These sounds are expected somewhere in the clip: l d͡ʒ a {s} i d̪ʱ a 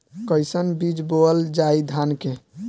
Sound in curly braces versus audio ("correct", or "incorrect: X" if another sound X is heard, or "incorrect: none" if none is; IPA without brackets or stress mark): incorrect: none